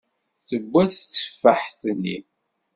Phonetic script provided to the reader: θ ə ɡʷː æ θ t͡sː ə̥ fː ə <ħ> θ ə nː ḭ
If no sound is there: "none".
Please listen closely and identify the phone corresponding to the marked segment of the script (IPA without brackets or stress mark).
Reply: ħ